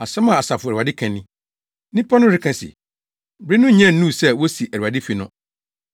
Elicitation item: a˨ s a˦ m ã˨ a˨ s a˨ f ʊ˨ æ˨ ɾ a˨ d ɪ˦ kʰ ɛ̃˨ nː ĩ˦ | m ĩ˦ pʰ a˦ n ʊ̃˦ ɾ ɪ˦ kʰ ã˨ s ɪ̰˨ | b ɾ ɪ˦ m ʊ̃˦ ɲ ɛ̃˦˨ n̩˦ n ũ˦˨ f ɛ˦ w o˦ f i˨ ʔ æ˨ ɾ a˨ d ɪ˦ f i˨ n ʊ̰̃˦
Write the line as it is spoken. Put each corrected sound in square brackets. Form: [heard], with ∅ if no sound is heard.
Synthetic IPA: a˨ s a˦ m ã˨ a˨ s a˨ f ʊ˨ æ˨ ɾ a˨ d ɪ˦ kʰ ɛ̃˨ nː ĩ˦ | [n] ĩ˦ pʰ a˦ n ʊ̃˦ ɾ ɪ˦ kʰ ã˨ s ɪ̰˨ | b ɾ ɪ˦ [n] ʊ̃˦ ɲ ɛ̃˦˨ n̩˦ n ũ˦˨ [s] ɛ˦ w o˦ [s] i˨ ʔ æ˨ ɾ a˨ d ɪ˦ f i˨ n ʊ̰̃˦